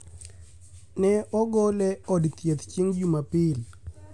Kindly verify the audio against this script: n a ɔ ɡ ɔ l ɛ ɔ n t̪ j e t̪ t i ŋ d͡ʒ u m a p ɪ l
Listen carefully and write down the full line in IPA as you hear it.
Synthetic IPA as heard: n ɛ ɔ ɡ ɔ l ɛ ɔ d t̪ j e t̪ t͡ʃ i ŋ d͡ʒ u m a p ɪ l